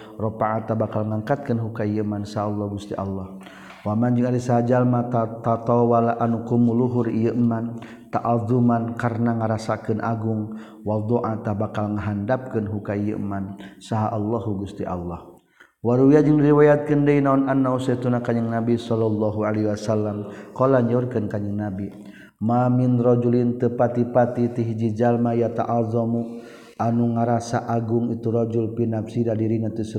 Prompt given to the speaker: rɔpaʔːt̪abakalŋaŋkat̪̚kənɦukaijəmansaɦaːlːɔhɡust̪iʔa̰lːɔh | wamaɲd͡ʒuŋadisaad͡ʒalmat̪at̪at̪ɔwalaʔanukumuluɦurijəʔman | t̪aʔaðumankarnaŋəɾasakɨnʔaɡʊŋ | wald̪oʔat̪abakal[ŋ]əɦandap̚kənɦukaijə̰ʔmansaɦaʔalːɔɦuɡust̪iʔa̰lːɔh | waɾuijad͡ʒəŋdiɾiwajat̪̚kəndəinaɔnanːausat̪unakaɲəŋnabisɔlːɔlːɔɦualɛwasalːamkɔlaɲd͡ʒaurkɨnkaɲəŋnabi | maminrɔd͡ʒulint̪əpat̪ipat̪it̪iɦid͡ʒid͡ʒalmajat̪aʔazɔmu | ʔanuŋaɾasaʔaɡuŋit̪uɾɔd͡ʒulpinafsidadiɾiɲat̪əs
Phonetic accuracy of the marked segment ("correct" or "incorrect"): correct